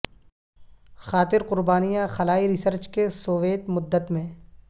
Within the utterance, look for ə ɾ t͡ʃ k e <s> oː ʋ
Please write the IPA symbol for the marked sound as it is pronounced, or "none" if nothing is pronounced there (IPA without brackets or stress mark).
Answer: s